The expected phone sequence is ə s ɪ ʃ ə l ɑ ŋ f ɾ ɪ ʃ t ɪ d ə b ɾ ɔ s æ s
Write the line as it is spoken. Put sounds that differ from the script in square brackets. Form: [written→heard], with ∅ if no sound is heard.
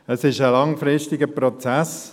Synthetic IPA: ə s ɪ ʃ ə l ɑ ŋ f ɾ ɪ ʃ t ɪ [d→ɡ] ə [b→p] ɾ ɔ [s→t͡s] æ s